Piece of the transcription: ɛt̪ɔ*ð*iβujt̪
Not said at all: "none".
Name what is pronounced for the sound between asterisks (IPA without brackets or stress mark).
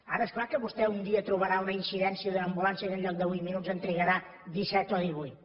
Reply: ð